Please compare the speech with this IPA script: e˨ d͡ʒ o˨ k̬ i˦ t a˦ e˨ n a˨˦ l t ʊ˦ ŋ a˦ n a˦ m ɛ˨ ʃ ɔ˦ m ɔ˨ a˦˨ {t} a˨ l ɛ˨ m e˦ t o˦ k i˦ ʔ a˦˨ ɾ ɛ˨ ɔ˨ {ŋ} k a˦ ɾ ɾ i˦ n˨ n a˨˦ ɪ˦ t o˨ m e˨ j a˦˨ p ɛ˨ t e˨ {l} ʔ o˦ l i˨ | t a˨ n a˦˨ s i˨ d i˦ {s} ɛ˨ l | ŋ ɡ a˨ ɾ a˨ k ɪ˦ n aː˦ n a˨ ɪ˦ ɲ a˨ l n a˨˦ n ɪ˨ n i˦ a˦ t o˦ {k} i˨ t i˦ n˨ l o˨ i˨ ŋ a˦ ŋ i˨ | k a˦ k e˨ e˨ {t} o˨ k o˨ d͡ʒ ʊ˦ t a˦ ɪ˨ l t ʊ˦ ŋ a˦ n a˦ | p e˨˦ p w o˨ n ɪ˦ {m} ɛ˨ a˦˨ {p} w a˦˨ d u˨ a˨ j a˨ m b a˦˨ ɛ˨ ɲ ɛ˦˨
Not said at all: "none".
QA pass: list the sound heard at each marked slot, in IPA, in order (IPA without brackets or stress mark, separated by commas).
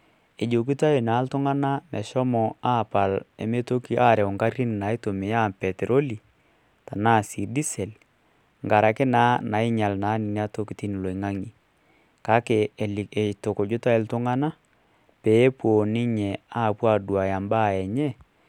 p, ŋ, ɾ, s, k, t, ɲ, p